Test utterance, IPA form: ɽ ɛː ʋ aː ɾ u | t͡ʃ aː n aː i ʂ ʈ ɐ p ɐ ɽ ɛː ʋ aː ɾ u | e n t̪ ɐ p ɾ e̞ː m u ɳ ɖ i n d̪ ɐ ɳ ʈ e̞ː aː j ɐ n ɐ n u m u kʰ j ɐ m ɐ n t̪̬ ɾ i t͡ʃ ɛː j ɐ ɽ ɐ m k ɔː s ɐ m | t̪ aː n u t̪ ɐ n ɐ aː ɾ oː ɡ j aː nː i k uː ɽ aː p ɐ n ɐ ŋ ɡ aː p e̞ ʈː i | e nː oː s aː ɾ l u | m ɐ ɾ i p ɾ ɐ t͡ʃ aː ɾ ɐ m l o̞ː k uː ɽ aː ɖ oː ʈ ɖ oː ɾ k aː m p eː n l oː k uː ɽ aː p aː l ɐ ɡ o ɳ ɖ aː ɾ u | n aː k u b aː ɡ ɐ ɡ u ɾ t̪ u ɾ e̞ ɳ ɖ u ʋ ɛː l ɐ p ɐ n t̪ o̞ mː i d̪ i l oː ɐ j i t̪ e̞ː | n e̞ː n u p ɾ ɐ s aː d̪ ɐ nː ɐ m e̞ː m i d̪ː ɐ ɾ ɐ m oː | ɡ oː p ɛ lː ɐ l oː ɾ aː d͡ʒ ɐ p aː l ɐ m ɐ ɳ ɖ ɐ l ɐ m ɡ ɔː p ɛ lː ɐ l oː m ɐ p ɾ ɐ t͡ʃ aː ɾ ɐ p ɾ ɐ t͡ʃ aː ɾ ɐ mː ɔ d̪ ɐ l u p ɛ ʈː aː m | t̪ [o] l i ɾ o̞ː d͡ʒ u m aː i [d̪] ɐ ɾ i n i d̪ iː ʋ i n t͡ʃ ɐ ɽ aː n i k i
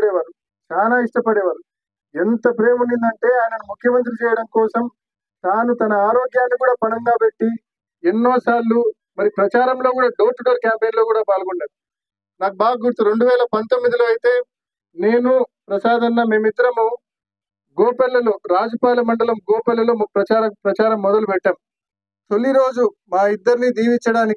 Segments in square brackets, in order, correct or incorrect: correct, incorrect

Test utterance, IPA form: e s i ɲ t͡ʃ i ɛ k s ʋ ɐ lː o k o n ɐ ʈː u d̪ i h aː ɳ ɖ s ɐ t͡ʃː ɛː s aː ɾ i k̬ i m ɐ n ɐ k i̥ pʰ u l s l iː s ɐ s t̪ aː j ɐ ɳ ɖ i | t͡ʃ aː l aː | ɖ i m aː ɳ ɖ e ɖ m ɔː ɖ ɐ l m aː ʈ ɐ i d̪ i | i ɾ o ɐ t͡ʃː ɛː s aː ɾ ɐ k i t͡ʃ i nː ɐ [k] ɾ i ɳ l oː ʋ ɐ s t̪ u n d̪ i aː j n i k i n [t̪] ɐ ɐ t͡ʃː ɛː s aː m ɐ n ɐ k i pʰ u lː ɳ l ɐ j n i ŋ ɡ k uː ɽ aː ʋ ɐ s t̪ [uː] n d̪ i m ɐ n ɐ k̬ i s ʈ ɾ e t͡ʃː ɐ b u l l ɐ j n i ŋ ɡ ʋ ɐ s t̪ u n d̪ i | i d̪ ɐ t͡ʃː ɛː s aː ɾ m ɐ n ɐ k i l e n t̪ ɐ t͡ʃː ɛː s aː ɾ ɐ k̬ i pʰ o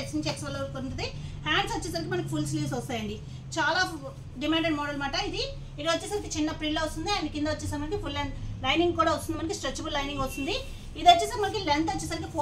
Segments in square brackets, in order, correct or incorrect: incorrect, incorrect, incorrect

